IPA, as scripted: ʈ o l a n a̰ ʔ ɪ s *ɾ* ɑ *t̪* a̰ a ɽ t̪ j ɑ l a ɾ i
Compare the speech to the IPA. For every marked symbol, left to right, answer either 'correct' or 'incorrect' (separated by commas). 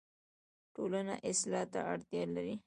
incorrect, correct